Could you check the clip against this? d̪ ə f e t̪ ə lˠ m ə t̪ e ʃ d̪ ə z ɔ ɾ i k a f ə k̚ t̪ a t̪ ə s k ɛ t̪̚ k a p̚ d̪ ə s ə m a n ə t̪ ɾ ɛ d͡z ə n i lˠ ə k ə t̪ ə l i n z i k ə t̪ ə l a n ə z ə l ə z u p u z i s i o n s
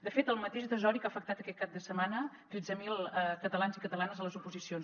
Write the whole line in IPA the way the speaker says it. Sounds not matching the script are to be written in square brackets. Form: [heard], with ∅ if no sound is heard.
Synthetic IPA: d̪ ə f e t̪ ə lˠ m ə t̪ e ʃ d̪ ə z ɔ ɾ i k a f ə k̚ t̪ a t̪ ə [∅] k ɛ t̪̚ k a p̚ d̪ ə s ə m a n ə t̪ ɾ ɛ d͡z ə [m] i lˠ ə k ə t̪ ə l [a] n z i k ə t̪ ə l a n ə z ə l ə z u p u z i s i o n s